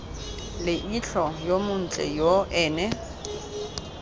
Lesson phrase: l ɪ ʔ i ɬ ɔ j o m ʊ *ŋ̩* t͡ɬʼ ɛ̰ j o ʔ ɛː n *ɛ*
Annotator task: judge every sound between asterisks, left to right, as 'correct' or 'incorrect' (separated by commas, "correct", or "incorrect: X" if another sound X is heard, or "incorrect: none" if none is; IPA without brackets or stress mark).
incorrect: n̩, correct